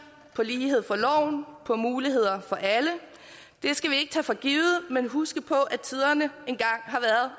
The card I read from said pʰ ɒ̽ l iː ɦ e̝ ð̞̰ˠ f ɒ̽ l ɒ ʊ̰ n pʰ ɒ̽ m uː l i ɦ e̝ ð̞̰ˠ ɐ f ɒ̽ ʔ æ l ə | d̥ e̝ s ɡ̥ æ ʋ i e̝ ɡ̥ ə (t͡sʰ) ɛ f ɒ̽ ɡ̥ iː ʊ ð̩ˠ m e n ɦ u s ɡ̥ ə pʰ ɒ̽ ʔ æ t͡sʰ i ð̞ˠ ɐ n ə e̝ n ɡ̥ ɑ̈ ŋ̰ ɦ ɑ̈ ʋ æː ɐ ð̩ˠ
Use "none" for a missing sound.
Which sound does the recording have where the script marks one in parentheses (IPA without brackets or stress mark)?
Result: t͡sʰ